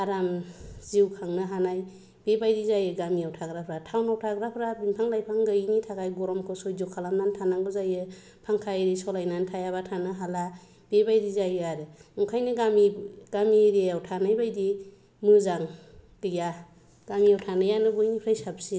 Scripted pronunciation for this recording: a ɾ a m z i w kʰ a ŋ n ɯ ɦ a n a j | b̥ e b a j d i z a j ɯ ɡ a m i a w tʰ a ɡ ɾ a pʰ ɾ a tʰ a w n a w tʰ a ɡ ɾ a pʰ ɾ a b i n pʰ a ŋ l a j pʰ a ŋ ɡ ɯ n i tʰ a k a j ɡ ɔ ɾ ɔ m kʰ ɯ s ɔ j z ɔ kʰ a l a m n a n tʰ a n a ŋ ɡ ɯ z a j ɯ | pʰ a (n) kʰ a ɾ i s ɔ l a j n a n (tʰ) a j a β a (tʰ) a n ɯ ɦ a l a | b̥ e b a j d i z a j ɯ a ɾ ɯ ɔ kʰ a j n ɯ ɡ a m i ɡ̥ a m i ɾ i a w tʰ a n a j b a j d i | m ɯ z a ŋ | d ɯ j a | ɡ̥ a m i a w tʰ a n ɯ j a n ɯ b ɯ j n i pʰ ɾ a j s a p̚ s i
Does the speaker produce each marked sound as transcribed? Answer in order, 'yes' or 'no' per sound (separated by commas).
no, yes, yes